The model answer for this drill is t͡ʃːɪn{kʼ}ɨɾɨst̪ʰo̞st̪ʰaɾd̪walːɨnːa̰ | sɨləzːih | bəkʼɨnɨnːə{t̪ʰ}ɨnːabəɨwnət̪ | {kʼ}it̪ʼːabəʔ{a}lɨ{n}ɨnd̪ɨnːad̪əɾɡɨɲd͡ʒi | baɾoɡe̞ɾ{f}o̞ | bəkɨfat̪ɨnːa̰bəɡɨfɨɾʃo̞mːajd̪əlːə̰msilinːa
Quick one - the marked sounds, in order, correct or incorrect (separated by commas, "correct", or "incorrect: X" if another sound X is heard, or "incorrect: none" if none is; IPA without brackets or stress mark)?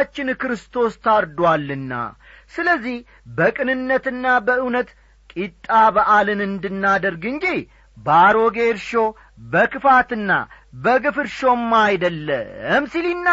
incorrect: k, incorrect: t̪, correct, correct, correct, incorrect: ʃ